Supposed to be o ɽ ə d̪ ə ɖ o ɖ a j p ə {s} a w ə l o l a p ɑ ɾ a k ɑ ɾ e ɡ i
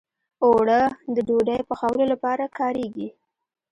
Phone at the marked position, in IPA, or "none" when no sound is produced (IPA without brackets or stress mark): x